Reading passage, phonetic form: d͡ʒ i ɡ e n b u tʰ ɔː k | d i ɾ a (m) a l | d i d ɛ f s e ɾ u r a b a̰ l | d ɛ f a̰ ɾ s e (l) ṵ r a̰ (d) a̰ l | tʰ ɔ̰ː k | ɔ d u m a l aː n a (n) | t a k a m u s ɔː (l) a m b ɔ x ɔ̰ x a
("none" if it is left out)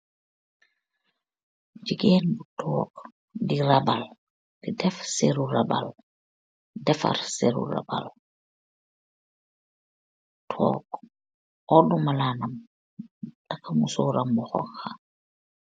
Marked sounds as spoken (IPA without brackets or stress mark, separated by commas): b, ɾ, b, m, ɾ